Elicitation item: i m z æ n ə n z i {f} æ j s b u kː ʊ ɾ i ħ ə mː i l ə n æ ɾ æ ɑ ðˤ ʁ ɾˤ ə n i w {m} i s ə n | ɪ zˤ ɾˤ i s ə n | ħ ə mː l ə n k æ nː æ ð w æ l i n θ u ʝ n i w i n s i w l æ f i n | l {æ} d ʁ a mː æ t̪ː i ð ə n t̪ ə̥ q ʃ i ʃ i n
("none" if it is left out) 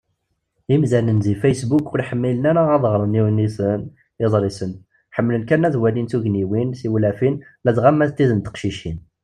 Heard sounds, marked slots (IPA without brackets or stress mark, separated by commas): f, n, æ